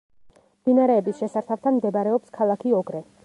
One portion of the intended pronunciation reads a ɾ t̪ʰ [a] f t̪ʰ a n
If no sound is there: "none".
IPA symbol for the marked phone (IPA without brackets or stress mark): a